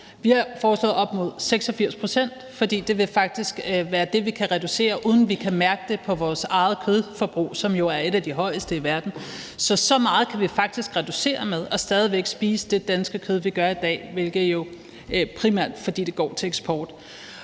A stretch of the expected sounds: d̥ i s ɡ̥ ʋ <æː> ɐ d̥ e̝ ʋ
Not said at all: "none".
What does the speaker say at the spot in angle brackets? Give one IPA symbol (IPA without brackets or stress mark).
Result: æː